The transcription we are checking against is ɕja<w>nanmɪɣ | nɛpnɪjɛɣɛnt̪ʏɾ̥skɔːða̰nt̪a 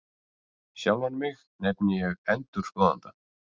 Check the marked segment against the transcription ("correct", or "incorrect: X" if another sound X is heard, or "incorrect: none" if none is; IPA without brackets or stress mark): correct